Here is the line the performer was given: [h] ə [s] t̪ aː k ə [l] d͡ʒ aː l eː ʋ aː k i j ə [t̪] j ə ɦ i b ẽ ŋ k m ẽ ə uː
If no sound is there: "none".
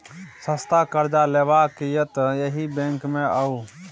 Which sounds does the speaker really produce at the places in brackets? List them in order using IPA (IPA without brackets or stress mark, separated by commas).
s, s, ɾ, t̪